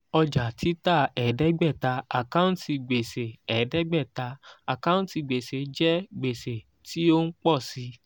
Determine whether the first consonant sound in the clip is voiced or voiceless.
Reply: voiced